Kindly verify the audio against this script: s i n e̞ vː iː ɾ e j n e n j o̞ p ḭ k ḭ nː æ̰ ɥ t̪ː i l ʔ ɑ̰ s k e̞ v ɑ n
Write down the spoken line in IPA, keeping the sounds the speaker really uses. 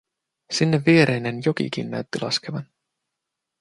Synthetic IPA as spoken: s i nː e̞ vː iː ɾ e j n e n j o̞ k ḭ k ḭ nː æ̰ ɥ t̪ː i l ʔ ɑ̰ s k e̞ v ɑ n